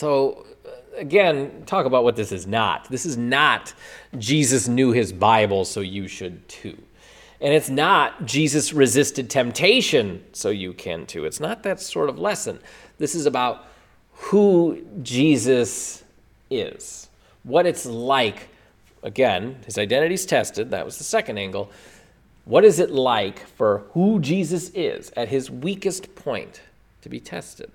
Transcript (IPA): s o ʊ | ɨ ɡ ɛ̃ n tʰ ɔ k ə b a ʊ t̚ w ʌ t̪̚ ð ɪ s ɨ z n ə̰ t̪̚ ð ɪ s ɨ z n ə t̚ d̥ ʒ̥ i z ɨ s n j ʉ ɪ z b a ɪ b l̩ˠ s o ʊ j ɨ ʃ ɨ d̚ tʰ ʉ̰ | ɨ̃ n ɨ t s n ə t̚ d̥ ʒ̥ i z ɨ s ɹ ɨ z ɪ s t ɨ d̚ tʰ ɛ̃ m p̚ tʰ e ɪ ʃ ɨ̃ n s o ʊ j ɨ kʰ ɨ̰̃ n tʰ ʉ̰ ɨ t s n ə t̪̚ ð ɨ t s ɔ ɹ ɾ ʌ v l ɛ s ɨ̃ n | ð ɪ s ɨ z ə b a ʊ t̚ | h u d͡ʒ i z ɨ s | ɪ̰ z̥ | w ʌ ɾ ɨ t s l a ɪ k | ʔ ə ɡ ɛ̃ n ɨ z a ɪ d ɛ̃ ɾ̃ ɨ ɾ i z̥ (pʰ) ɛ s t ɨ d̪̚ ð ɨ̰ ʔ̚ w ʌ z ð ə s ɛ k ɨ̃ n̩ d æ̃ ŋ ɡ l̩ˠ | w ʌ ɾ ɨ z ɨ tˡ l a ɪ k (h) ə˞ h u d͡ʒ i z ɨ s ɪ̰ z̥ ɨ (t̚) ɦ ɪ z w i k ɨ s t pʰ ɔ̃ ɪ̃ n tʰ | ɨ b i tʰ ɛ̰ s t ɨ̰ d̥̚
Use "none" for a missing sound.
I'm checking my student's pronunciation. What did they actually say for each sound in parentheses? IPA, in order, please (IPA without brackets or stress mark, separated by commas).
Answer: tʰ, f, t̚